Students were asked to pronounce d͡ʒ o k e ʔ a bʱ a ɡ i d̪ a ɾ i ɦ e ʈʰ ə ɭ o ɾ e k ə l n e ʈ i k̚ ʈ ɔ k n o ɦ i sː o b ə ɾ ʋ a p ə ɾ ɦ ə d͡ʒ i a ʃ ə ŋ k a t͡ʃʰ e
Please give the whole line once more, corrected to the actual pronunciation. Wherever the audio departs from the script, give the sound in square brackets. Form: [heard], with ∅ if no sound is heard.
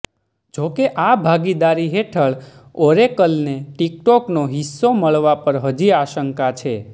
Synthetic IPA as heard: d͡ʒ o k e ʔ a bʱ a ɡ i d̪ a ɾ i ɦ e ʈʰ ə ɭ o ɾ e k ə l n e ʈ i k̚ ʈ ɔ k n o ɦ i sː o [m] ə [ɭ] ʋ a p ə ɾ ɦ ə d͡ʒ i a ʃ ə ŋ k a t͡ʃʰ e